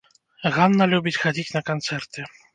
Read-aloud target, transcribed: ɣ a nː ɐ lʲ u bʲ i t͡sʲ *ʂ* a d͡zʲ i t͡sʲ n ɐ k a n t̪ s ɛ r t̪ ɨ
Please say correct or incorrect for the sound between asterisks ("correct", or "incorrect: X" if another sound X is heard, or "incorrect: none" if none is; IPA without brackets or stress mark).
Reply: incorrect: x